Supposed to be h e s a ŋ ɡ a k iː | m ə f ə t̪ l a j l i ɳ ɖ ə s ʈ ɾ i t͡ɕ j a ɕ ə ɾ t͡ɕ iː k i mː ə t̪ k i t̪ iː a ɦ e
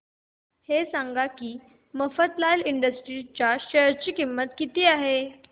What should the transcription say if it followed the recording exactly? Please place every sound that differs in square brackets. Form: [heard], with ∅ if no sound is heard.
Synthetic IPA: h e s a ŋ ɡ a k iː | m ə f ə t̪ l a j l i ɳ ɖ ə s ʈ ɾ i t͡ɕ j a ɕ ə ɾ t͡ɕ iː k i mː ə t̪ k i t̪ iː a ɦ e